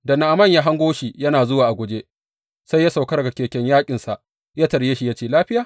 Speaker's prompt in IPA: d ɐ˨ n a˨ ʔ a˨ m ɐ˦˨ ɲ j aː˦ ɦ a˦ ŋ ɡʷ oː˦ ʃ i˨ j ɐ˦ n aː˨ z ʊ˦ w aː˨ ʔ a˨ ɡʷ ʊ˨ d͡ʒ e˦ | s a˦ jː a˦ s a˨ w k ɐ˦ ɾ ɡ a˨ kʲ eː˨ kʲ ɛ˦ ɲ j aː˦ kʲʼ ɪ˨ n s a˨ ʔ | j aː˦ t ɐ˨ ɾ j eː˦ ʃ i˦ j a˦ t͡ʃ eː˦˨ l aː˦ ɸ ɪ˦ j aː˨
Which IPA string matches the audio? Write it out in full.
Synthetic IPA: d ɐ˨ n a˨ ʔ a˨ m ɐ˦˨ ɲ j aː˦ ɦ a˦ ŋ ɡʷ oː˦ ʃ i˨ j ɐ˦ n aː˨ z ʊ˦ w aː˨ ʔ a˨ ɡʷ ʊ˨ d͡ʒ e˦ | s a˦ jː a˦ s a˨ w k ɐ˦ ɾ ɡ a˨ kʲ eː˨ kʲ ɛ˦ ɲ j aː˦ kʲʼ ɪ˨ n s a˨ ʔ | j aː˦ t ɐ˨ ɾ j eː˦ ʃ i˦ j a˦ t͡ʃ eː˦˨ l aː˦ ɸ ɪ˦ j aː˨